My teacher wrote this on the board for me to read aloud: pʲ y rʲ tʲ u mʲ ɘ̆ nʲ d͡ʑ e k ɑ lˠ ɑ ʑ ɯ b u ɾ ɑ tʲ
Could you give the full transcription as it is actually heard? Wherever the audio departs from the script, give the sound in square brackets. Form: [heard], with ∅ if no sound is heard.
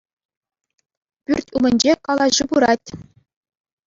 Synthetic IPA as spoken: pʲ y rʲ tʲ u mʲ ɘ̆ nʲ d͡ʑ e k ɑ lˠ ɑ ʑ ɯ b u ɾ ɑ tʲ